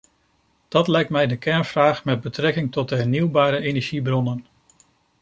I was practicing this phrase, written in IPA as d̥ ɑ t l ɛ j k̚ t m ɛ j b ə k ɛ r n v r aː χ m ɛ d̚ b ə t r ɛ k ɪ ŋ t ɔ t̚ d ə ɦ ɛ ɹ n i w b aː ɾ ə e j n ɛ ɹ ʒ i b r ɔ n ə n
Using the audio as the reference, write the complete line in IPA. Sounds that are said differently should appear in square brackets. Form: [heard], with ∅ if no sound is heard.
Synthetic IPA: d̥ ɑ t l ɛ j k̚ t m ɛ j [d] ə k ɛ [ɹ] n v r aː χ m ɛ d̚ b ə t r ɛ k ɪ ŋ t ɔ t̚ d ə ɦ ɛ ɹ n i w b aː ɾ ə e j n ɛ ɹ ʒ i b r ɔ n ə n